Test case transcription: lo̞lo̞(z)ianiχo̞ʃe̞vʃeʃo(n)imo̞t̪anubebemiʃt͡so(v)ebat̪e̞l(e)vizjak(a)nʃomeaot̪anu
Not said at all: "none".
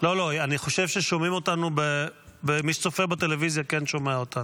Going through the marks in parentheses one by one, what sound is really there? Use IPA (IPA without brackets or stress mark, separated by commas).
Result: none, m, f, e, e